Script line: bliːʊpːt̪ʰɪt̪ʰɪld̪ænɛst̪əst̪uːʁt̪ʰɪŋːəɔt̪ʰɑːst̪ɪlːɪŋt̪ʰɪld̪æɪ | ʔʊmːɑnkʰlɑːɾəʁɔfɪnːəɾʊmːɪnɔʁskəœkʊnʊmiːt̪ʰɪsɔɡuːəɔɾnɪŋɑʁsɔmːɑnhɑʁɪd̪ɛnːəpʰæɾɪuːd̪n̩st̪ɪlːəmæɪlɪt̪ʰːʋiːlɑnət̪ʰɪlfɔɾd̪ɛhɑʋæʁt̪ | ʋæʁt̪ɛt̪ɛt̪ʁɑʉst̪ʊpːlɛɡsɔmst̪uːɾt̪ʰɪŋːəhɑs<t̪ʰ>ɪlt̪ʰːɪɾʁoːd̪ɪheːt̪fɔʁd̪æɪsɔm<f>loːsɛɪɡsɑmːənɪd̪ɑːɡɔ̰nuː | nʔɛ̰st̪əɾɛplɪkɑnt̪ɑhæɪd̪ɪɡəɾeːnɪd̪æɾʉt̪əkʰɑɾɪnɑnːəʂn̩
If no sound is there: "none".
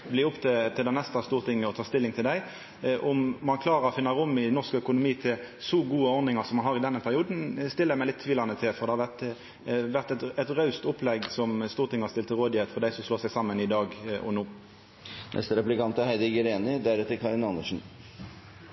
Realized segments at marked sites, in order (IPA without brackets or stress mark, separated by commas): t̪, s